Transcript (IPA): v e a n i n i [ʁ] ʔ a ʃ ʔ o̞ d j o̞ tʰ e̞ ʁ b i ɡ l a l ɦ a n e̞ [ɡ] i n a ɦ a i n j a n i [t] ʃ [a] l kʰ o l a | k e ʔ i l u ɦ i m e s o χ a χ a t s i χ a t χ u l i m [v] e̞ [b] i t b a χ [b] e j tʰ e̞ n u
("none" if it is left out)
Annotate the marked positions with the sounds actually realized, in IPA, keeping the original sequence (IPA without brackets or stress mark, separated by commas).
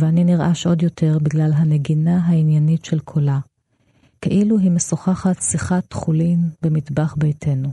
ʁ, ɡ, t, e, b, m, b